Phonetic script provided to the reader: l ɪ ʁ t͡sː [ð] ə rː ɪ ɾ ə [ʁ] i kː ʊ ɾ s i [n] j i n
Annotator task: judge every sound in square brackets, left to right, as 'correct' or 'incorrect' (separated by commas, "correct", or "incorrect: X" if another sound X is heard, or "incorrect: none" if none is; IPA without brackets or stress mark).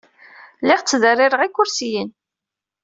correct, correct, incorrect: none